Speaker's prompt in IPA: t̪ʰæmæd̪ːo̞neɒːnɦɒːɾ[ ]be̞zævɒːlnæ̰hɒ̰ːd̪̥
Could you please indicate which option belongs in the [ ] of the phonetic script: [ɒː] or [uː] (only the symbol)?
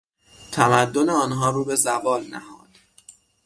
uː